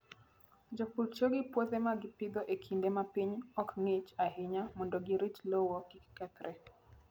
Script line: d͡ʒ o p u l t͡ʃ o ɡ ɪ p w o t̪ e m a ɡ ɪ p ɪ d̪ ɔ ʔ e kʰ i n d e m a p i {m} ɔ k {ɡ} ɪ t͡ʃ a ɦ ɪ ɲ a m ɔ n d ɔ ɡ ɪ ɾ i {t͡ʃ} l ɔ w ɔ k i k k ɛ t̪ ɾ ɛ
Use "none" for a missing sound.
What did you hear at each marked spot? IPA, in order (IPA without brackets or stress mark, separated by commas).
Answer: ɲ, ŋ, t͡ʃ